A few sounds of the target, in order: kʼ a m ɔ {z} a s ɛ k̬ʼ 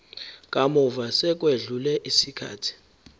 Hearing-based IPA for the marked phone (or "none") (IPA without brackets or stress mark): v